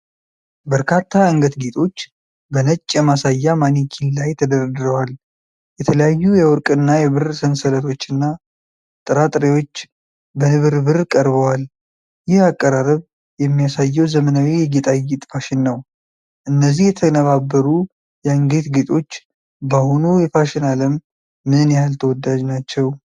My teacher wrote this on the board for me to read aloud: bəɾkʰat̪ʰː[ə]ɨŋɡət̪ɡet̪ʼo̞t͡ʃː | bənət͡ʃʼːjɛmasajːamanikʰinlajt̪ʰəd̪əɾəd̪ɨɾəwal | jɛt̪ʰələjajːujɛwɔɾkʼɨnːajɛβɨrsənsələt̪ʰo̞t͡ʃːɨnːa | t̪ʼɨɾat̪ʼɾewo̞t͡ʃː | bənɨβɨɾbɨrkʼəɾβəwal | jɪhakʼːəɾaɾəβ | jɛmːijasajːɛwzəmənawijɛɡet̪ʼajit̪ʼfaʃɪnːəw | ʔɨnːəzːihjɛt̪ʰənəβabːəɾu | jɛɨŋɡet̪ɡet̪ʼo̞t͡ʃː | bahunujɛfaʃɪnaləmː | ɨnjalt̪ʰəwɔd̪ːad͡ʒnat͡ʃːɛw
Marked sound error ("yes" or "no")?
yes